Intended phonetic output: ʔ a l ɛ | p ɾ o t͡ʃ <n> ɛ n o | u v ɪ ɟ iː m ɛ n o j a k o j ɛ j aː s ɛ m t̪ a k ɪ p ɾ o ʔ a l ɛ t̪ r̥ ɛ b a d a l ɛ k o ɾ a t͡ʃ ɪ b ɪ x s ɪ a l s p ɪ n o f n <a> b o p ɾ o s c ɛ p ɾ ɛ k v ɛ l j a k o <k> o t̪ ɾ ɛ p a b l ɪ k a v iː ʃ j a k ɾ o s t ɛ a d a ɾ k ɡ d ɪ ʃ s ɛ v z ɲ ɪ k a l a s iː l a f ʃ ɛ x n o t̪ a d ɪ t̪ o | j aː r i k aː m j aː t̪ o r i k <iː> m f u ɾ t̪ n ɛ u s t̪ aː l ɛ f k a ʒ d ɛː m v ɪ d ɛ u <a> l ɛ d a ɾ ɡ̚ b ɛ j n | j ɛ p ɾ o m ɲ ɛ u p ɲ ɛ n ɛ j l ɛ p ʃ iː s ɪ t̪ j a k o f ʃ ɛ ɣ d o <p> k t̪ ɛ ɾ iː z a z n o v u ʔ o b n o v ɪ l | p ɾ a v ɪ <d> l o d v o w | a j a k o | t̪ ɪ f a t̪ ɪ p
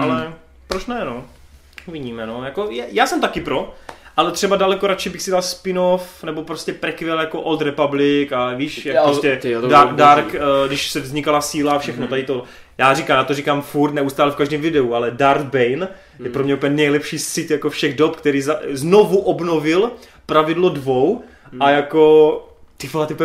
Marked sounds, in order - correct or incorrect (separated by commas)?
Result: correct, incorrect, incorrect, incorrect, correct, correct, correct